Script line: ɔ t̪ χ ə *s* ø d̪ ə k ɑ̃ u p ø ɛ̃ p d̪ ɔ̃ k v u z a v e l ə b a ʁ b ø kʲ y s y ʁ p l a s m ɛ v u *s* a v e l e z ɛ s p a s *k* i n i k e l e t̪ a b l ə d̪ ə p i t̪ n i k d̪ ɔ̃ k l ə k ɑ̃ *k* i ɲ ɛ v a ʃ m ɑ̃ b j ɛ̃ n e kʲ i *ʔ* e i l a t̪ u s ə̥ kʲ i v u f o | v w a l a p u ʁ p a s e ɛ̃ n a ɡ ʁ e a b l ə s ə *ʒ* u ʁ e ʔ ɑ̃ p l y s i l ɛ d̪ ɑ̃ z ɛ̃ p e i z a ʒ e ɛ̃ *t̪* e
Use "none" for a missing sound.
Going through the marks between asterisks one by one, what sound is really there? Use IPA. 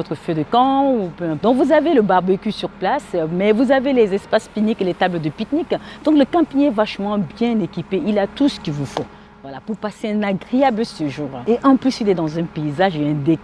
f, z, p, p, p, ʒ, d̪

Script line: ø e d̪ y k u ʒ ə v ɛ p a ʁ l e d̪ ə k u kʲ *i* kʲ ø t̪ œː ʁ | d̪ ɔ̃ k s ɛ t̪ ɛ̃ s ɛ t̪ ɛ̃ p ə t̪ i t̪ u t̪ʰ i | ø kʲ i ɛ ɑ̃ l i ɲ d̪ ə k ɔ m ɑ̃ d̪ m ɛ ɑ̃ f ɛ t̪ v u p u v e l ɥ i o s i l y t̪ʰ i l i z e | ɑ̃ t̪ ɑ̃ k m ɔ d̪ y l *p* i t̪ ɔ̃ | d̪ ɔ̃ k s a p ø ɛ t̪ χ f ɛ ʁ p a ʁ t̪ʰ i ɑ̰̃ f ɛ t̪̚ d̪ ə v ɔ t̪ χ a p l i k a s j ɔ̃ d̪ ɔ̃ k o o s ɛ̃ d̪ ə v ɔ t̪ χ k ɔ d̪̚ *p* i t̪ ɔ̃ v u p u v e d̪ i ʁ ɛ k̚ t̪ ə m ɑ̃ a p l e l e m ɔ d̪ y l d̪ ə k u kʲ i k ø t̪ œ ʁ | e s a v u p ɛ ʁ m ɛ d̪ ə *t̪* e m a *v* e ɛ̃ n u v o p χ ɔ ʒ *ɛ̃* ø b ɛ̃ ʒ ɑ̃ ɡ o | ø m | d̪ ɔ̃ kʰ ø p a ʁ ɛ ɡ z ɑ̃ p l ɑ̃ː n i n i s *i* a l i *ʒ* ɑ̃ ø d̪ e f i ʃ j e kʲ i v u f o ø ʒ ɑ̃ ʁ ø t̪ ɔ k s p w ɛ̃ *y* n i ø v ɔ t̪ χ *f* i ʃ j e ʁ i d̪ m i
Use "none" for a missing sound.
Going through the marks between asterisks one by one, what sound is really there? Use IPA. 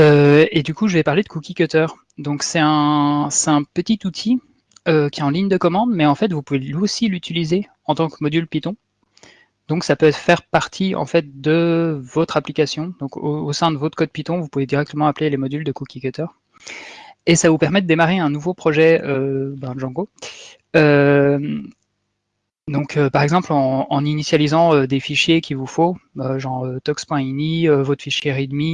i, p, p, d̪, ʁ, ɛ, j, z, i, f

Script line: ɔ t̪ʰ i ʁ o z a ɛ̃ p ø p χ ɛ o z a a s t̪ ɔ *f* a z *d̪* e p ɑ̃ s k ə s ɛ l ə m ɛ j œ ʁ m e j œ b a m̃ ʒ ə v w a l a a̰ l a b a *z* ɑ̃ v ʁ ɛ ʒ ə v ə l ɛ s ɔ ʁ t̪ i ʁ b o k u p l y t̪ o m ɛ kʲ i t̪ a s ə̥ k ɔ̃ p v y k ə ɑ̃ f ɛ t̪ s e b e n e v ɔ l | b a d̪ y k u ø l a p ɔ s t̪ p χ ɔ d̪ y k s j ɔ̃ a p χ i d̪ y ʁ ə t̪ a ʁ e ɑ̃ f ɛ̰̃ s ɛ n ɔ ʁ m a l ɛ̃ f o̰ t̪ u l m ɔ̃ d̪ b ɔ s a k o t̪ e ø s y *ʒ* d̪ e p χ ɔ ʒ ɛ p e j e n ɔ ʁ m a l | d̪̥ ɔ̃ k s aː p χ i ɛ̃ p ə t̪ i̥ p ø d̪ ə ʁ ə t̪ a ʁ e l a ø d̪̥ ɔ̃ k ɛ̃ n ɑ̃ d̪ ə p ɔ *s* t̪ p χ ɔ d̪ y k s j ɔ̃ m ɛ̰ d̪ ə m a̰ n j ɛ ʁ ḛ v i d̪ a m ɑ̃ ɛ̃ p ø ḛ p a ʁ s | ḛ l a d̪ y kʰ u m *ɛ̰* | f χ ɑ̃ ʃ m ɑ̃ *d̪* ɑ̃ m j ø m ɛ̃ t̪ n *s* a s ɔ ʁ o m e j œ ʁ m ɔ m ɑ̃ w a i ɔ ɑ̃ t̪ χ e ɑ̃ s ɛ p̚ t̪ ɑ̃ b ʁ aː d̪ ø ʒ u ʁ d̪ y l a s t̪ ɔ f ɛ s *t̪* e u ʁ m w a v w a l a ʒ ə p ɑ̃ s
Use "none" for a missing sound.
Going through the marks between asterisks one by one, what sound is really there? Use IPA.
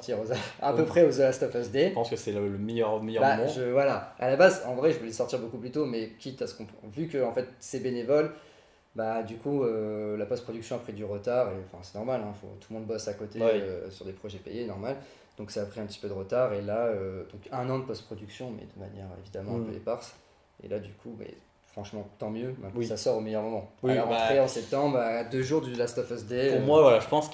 f, d̪, z, ʁ, s, ɛ̰, t̪, s, d̪

